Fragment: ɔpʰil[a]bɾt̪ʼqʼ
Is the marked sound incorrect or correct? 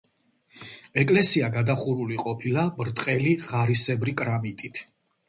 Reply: correct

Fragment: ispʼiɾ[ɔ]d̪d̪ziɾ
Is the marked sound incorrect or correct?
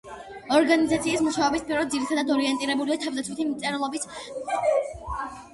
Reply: correct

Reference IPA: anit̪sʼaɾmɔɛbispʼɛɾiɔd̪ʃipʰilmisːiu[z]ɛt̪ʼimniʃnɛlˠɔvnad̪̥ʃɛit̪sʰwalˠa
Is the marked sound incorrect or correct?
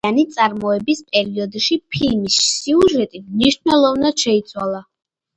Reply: incorrect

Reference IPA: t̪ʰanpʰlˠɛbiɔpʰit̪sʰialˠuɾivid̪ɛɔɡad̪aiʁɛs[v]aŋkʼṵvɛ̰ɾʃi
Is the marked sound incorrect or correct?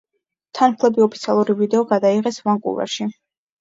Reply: correct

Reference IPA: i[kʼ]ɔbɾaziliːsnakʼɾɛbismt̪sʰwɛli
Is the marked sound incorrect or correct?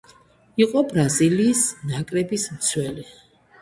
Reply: incorrect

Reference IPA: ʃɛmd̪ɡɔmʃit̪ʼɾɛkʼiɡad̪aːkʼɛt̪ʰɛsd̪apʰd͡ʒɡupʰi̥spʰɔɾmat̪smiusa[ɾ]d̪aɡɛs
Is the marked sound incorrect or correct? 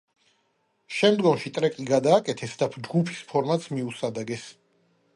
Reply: incorrect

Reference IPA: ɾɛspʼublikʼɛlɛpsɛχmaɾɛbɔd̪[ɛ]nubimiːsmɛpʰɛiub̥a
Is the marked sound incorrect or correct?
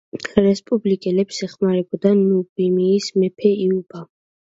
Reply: incorrect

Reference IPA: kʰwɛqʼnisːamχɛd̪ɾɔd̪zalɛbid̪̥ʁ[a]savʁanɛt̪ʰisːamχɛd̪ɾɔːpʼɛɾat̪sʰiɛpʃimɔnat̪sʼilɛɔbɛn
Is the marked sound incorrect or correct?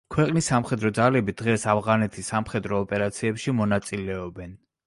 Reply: incorrect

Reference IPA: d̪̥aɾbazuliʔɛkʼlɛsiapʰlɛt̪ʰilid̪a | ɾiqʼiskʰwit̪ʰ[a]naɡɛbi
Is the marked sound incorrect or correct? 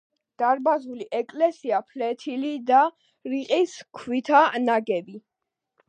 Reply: correct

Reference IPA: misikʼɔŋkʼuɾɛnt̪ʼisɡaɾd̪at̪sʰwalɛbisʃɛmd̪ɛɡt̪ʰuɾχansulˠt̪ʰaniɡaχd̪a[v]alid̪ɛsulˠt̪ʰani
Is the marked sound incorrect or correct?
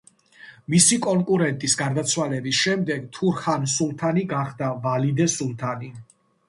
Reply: correct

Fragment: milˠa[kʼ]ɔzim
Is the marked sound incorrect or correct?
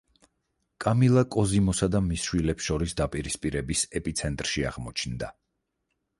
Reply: correct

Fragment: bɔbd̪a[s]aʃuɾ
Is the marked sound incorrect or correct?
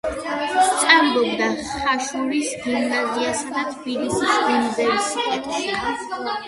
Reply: incorrect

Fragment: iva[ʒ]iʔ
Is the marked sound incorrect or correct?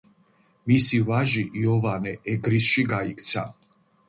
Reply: correct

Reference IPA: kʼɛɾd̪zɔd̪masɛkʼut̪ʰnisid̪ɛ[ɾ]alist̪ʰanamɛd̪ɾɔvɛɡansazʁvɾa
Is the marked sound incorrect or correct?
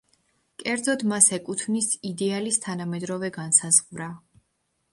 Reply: incorrect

